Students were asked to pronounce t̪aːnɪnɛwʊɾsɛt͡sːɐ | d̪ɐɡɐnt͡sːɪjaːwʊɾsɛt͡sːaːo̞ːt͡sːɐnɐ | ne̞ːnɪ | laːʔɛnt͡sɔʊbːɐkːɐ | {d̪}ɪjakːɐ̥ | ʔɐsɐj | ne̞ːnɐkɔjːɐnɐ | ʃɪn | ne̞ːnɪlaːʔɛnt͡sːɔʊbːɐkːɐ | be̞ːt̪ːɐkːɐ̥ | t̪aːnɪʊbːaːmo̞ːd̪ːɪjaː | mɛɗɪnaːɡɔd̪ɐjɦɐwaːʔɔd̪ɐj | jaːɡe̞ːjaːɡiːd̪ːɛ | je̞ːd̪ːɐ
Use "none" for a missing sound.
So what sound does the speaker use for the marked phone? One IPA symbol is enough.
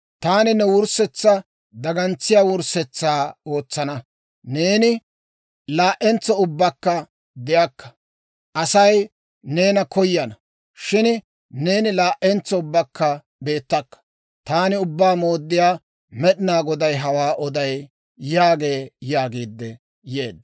d̪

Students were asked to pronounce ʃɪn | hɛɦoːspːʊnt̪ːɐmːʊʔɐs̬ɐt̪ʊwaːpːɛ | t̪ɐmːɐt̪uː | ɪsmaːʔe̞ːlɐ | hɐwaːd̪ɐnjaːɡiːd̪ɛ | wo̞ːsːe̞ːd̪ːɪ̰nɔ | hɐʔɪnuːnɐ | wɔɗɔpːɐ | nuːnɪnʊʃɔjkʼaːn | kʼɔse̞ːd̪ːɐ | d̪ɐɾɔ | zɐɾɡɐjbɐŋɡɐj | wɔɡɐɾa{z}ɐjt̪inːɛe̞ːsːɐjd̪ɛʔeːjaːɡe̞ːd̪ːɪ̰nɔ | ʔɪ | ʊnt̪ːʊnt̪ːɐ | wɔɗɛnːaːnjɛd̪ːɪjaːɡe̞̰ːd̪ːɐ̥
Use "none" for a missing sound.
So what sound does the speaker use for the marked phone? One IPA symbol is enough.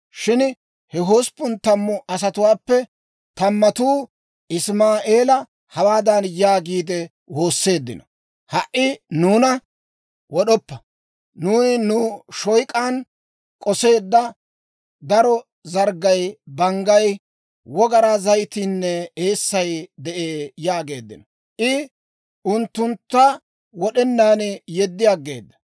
z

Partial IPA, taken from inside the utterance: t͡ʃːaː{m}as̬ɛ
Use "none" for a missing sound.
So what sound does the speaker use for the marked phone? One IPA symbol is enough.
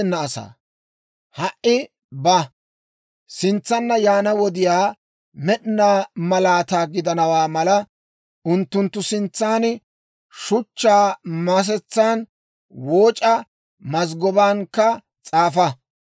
m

